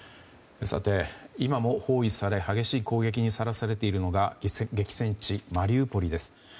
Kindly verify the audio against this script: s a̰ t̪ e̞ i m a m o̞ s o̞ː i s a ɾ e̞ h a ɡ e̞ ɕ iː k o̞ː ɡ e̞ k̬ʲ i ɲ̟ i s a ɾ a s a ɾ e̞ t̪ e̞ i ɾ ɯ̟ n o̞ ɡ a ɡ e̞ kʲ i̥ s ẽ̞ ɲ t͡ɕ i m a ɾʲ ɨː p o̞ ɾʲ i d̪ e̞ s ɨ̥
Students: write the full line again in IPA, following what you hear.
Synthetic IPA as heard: s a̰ t̪ e̞ i m a m o̞ h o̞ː i s a ɾ e̞ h a ɡ e̞ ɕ iː k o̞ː ɡ e̞ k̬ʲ i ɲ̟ i s a ɾ a s a ɾ e̞ t̪ e̞ i ɾ ɯ̟ n o̞ ɡ a ɡ e̞ kʲ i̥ s ẽ̞ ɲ t͡ɕ i m a ɾʲ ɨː p o̞ ɾʲ i d̪ e̞ s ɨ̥

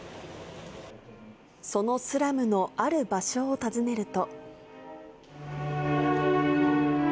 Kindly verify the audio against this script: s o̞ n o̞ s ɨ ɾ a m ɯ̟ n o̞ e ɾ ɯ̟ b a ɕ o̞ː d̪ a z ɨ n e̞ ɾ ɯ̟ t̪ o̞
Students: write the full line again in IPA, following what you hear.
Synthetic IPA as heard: s o̞ n o̞ s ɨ ɾ a m ɯ̟ n o̞ a ɾ ɯ̟ b a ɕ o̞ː t̪ a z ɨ n e̞ ɾ ɯ̟ t̪ o̞

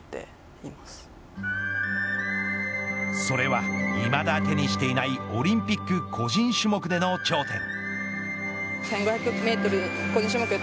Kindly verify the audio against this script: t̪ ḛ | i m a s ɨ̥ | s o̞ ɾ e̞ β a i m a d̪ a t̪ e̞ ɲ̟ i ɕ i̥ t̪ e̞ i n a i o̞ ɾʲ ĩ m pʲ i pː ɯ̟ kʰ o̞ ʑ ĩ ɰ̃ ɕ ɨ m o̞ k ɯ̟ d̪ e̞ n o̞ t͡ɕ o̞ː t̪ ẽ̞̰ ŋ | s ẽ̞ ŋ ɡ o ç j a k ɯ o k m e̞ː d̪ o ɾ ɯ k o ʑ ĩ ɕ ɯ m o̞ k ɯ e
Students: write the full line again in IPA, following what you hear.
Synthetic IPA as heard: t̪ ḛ | i m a s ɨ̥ | s o̞ ɾ e̞ β a i m a d̪ a t̪ e̞ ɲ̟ i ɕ i̥ t̪ e̞ i n a i o̞ ɾʲ ĩ m pʲ i kː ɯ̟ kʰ o̞ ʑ ĩ ɰ̃ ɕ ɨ m o̞ k ɯ̟ d̪ e̞ n o̞ t͡ɕ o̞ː t̪ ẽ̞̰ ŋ | s ẽ̞ ŋ ɡ o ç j a k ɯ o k m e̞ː t̪ o ɾ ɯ k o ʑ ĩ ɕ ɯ m o̞ k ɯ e

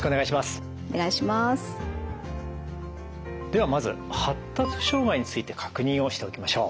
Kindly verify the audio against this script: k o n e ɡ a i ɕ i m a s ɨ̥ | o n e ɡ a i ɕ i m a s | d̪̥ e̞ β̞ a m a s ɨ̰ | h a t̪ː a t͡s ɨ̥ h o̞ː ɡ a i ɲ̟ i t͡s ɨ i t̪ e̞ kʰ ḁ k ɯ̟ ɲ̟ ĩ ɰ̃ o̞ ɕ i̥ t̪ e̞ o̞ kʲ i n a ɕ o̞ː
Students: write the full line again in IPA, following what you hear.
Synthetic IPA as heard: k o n e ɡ a i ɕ i m a s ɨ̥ | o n e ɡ a i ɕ i m a s | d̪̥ e̞ β̞ a m a z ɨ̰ | h a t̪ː a t͡s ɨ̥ ɕ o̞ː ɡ a i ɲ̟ i t͡s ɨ i t̪ e̞ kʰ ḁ k ɯ̟ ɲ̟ ĩ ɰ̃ o̞ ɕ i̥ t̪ e̞ o̞ kʲ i m a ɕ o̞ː

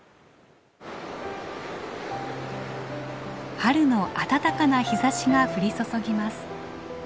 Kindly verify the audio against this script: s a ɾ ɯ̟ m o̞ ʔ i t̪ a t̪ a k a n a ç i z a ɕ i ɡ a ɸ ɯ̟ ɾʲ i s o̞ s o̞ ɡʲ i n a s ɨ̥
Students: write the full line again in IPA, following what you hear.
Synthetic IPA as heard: h a ɾ ɯ̟ n o̞ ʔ a t̪ a t̪ a k a n a ç i z a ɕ i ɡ a ɸ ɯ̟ ɾʲ i s o̞ s o̞ ɡʲ i m a s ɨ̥

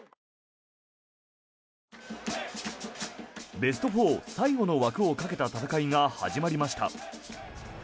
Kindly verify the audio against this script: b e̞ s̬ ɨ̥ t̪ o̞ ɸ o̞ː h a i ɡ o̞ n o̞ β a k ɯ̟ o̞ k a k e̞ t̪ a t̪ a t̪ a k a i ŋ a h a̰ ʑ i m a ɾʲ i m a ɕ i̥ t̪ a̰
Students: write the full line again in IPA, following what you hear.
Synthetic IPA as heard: b e̞ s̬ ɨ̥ t̪ o̞ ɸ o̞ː s a i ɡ o̞ n o̞ β a k ɯ̟ o̞ k a k e̞ t̪ a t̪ a t̪ a k a i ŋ a h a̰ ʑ i m a ɾʲ i m a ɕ i̥ t̪ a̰

